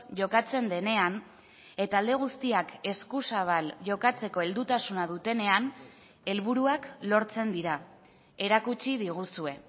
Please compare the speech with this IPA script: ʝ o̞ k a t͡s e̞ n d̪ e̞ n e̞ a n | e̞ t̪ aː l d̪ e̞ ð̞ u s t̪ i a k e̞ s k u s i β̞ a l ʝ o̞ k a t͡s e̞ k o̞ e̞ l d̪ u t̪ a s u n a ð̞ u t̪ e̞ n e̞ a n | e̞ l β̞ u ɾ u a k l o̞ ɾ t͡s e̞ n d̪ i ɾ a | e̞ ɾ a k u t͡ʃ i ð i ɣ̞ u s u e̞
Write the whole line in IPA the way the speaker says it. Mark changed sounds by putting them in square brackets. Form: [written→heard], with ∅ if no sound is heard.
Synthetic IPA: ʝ o̞ k a t͡s e̞ n d̪ e̞ n e̞ a n | e̞ t̪ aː l d̪ e̞ [ð̞→ɣ̞] u s t̪ i a k e̞ s k u s [i→a] β̞ a l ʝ o̞ k a t͡s e̞ k o̞ e̞ l d̪ u t̪ a s u n a ð̞ u t̪ e̞ n e̞ a n | e̞ l β̞ u ɾ u a k l o̞ ɾ t͡s e̞ n d̪ i ɾ a | e̞ ɾ a k u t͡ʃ i ð i ɣ̞ u s u e̞